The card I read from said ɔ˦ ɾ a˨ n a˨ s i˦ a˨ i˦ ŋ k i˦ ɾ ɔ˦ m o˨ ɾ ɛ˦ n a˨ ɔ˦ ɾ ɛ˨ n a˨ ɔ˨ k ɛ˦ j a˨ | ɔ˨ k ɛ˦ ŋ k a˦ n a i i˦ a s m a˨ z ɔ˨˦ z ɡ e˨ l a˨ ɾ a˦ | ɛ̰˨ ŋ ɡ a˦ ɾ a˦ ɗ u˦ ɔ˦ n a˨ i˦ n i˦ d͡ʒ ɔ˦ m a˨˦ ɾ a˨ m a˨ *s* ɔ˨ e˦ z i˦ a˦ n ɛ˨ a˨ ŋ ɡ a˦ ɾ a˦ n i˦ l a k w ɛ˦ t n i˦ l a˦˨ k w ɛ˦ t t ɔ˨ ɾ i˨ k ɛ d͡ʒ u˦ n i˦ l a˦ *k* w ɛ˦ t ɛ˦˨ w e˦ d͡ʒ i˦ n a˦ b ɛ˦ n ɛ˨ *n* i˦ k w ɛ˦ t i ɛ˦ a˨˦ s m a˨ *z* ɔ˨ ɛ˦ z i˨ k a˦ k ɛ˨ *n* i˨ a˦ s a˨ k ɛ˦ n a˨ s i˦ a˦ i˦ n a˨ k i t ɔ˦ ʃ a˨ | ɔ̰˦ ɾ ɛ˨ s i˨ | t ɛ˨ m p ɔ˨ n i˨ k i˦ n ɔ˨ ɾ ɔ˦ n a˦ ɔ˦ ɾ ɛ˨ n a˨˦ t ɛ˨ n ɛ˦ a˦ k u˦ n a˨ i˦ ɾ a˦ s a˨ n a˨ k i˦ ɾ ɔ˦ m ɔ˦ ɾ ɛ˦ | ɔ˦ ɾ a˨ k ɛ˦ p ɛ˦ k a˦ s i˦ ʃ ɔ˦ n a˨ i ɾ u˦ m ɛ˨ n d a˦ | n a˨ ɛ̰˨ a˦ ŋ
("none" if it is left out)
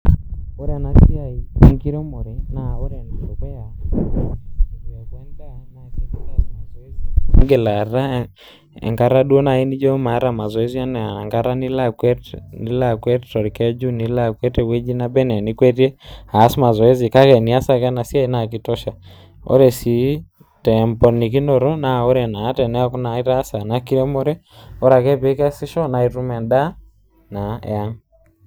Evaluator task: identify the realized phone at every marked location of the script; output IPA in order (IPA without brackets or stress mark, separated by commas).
z, k, n, z, n